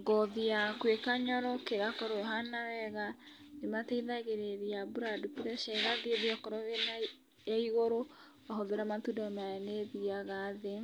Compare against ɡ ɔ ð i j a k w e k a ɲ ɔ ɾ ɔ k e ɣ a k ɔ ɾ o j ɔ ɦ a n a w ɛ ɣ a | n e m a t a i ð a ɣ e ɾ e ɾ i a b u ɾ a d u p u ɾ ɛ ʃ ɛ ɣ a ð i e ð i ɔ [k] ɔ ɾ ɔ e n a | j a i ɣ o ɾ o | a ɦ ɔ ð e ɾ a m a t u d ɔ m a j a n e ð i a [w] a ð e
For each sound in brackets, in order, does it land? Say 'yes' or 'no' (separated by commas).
yes, no